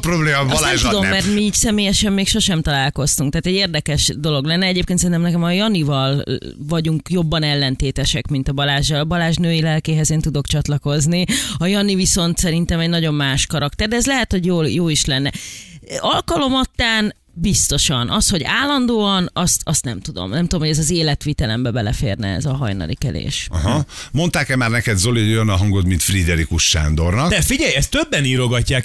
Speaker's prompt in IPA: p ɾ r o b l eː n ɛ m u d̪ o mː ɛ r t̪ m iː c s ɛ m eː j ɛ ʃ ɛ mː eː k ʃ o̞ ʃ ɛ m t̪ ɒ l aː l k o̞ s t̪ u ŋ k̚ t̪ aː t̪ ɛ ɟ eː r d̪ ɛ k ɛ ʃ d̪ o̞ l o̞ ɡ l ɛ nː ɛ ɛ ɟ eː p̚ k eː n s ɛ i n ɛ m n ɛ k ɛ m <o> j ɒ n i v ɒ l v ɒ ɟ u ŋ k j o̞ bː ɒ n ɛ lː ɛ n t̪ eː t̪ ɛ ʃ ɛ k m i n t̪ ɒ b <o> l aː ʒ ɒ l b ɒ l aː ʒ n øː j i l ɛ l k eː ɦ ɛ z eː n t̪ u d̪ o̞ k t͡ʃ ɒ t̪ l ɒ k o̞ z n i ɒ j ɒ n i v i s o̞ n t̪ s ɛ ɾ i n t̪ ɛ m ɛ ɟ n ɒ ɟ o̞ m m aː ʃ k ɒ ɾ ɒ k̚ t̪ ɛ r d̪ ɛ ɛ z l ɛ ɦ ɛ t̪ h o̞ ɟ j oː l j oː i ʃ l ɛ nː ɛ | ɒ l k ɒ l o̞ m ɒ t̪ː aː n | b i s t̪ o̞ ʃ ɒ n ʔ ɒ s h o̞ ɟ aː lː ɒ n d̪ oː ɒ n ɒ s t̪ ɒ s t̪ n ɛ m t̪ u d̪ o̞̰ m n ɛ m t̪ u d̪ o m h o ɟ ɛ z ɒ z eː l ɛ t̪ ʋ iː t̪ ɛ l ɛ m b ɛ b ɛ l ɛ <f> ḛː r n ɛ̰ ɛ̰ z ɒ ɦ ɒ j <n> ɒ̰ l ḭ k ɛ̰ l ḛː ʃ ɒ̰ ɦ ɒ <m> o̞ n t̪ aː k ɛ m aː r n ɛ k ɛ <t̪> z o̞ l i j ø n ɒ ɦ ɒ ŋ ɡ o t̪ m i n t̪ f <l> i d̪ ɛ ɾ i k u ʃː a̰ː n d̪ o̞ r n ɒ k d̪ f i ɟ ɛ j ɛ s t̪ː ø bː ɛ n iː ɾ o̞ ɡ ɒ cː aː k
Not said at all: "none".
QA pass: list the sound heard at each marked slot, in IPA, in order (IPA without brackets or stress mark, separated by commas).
ɒ, ɒ, f, n, m, d̪, r